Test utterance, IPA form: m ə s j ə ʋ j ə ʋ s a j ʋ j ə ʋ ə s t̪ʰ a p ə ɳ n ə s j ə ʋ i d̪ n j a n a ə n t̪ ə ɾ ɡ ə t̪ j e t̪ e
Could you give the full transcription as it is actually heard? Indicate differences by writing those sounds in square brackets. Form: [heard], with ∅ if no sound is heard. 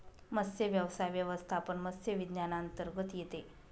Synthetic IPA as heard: m ə s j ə ʋ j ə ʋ s a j ʋ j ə ʋ ə s t̪ʰ a p ə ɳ [m] ə s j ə ʋ i d̪ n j a n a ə n t̪ ə ɾ ɡ ə t̪ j e t̪ e